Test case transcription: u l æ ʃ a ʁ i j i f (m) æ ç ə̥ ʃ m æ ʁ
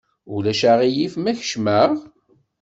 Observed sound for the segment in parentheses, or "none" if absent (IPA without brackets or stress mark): m